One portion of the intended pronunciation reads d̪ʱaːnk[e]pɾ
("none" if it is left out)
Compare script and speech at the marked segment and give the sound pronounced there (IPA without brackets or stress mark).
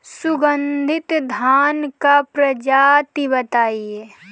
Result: a